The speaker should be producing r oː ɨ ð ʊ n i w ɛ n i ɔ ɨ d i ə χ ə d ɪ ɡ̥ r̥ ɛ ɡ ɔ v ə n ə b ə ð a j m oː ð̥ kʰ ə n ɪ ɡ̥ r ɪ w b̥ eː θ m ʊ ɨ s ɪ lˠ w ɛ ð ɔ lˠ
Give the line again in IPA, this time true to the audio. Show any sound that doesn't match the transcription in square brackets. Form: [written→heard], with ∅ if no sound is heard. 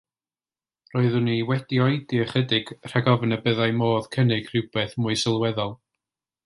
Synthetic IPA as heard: r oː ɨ ð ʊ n i w ɛ [n→d] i ɔ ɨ d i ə χ ə d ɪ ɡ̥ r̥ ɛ ɡ ɔ v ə n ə b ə ð a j m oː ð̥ kʰ ə n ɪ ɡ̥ r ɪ w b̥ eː θ m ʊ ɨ s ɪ lˠ w ɛ ð ɔ lˠ

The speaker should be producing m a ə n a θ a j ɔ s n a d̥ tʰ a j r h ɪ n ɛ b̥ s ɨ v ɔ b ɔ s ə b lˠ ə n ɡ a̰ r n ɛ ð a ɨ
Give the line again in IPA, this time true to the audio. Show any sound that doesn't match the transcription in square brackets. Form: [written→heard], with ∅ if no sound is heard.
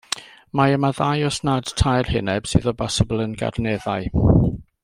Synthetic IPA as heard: m a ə [n→m] a [θ→ð] a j ɔ s n a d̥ tʰ a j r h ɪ n ɛ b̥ s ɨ [v→ð] ɔ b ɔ s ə b lˠ ə n ɡ a̰ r n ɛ ð a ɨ

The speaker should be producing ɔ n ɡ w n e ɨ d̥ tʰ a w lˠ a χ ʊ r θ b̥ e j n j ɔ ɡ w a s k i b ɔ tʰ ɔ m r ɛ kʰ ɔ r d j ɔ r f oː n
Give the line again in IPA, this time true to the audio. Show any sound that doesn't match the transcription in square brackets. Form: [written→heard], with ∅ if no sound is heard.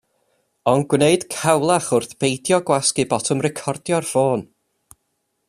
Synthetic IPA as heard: ɔ n ɡ w n e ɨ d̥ [tʰ→kʰ] a w lˠ a χ ʊ r θ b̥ e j [n→d] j ɔ ɡ w a s k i b ɔ tʰ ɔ m r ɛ kʰ ɔ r d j ɔ r f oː n

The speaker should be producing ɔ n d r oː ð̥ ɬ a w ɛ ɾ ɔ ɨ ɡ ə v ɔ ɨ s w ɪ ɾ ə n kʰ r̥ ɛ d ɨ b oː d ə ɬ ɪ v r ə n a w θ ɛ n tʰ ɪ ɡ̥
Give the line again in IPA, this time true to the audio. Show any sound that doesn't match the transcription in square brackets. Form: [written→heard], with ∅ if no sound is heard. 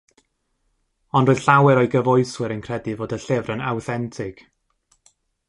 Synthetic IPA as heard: ɔ n d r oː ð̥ ɬ a w ɛ ɾ ɔ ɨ ɡ ə v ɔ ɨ s w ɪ ɾ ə n kʰ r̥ ɛ d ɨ [b→v] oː d ə ɬ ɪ v r ə n a w θ ɛ n tʰ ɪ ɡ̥

